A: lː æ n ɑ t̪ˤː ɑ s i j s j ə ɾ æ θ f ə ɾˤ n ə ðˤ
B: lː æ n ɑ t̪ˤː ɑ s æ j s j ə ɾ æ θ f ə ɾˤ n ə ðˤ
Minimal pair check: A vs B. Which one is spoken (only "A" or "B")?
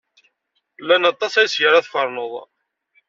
B